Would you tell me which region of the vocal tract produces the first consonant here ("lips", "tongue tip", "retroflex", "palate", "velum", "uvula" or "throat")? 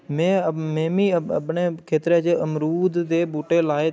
lips